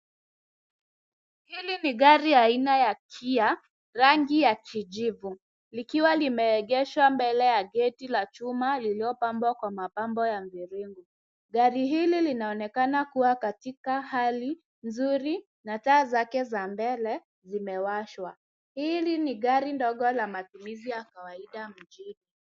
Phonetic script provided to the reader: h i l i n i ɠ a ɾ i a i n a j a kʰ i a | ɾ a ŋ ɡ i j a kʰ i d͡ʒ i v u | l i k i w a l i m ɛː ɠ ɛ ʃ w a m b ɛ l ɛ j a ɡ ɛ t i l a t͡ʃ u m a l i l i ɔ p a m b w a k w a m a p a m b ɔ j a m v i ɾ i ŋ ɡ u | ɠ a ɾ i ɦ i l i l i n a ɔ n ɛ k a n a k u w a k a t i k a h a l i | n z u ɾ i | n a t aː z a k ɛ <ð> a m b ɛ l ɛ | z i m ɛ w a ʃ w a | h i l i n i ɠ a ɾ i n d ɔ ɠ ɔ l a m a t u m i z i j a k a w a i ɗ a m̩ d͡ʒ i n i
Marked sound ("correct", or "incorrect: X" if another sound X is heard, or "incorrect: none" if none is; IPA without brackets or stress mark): incorrect: z